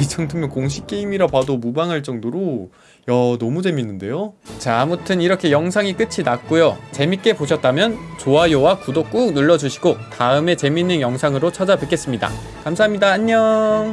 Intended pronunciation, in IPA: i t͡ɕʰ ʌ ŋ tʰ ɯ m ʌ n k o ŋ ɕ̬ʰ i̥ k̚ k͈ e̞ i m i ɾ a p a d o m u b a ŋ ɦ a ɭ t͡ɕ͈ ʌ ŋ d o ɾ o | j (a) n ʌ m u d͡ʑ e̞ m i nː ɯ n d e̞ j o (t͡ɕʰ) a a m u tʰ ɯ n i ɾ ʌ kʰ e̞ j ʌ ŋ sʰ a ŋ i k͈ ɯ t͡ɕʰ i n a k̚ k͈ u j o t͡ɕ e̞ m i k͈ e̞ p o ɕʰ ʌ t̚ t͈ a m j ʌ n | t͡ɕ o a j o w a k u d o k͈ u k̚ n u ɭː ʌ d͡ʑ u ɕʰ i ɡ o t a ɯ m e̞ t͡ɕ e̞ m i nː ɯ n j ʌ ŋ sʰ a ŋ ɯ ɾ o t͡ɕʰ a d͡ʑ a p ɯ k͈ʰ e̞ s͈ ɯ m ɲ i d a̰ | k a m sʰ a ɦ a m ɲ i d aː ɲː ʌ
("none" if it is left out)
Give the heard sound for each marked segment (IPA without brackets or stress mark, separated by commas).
ʌ, t͡ɕ